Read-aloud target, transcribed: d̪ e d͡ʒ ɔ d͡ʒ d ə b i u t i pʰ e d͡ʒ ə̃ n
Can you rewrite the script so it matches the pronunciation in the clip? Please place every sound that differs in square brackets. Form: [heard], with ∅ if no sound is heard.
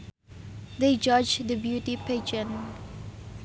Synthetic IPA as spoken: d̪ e d͡ʒ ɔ d͡ʒ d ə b [j] u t i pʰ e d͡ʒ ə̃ n